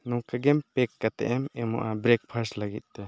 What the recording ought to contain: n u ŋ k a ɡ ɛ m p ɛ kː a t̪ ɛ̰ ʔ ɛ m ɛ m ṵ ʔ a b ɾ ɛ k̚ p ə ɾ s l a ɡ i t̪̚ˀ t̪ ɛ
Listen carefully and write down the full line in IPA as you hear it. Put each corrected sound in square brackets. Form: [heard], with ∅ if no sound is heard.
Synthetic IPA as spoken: n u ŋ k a ɡ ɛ m p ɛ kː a t̪ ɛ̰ ʔ ɛ m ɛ m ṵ ʔ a b ɾ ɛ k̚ [pʰ] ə ɾ s l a ɡ i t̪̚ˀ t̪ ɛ